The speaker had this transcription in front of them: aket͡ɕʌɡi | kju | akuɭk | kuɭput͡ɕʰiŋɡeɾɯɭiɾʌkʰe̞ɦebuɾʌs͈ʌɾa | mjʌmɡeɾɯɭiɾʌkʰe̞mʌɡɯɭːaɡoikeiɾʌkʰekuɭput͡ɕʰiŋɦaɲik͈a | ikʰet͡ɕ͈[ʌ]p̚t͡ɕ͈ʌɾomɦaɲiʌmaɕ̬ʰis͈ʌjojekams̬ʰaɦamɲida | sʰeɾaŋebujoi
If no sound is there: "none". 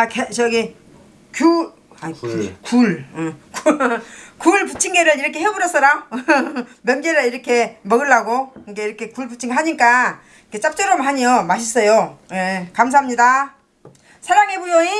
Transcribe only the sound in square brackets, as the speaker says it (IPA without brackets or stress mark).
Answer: a